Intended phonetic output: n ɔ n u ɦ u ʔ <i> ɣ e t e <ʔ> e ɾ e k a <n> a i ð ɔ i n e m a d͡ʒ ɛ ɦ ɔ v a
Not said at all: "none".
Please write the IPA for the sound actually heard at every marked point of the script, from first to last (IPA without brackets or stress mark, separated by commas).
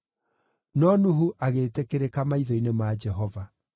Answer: a, k, m